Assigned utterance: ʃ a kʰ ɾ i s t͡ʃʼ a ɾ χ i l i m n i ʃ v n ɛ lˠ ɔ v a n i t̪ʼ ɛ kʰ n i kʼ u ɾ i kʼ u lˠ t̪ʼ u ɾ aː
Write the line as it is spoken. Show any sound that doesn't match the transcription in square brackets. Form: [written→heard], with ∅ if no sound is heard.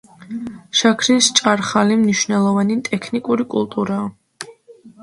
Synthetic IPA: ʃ a kʰ ɾ i s t͡ʃʼ a ɾ χ [i→a] l i m n i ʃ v n ɛ lˠ ɔ v a n i t̪ʼ ɛ kʰ n i kʼ u ɾ i kʼ u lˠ t̪ʼ u ɾ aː